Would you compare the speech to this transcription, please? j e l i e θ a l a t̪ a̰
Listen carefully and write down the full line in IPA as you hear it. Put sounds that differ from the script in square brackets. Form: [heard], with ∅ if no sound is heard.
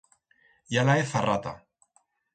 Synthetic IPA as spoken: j [a] l [a] e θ a [r] a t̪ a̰